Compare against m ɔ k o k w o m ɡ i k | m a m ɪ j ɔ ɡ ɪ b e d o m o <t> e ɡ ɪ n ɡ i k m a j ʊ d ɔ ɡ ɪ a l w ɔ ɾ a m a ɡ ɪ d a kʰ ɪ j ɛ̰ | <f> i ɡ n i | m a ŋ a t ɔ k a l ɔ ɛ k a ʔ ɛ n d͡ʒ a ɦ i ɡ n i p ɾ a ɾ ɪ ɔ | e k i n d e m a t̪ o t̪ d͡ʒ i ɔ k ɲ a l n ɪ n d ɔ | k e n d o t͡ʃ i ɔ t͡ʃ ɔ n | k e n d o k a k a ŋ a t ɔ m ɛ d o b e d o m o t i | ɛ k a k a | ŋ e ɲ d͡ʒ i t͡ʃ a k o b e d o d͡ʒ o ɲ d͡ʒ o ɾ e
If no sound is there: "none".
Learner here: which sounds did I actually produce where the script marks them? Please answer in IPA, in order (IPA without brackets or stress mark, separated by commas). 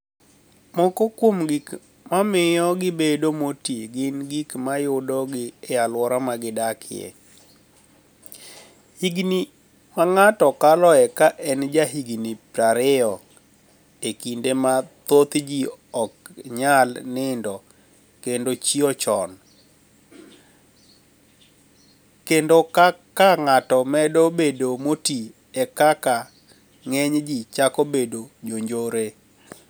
t, h